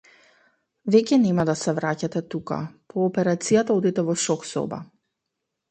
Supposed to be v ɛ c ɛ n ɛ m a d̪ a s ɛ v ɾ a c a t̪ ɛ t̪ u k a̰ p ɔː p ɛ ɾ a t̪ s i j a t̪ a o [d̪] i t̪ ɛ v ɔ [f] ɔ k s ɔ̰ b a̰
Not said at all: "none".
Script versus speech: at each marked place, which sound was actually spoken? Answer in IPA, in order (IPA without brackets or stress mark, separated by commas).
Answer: d̪, ʃ